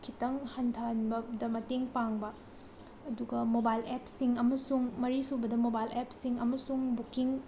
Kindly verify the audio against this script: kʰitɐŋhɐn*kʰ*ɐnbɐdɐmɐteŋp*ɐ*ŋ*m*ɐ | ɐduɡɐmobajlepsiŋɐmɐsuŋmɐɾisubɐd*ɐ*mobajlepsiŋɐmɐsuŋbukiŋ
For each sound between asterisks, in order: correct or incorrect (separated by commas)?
incorrect, incorrect, incorrect, correct